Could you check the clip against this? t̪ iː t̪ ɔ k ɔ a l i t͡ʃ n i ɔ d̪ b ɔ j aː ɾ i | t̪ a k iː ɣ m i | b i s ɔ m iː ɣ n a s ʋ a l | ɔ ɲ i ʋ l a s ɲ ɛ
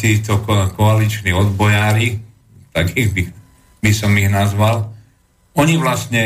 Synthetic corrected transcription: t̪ iː t̪ ɔ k ɔ a l i t͡ʃ n i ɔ d̪ b ɔ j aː ɾ i | t̪ a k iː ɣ b i | b i s ɔ m i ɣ n a z ʋ a l | ɔ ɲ i ʋ l a s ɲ ɛ